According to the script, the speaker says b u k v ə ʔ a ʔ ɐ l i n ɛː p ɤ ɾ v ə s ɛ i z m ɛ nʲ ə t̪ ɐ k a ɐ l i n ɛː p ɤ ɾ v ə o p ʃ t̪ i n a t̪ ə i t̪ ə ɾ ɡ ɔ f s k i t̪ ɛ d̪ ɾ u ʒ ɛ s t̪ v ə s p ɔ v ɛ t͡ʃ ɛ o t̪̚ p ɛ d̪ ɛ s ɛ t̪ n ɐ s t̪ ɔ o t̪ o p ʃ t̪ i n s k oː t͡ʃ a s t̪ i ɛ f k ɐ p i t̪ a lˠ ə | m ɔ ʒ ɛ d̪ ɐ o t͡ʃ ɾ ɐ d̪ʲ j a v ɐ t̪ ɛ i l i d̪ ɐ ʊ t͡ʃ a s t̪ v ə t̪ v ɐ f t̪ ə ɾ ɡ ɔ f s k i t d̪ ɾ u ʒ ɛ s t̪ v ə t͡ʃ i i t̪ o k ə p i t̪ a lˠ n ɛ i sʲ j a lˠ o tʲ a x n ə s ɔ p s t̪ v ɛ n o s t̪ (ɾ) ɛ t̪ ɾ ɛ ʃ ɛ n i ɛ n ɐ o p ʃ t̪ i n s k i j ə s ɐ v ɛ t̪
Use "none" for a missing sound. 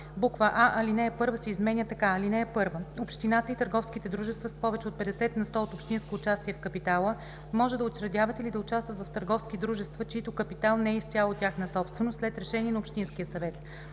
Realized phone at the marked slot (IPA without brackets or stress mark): l